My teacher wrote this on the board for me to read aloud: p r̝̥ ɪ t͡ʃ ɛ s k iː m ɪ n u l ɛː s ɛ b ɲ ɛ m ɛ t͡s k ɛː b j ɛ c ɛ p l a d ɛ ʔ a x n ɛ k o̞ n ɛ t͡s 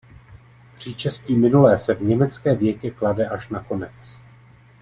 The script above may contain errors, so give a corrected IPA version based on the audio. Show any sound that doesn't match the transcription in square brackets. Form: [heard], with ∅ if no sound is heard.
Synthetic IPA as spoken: p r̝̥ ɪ t͡ʃ ɛ s [c] iː m ɪ n u l ɛː s ɛ [v] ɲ ɛ m ɛ t͡s k ɛː [v] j ɛ c ɛ [k] l a d ɛ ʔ a [ʃ] n [a] k o̞ n ɛ t͡s